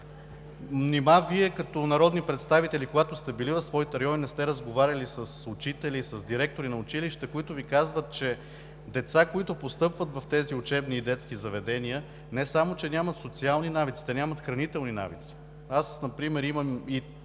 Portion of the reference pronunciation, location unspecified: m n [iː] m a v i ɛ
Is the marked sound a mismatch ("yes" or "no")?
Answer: yes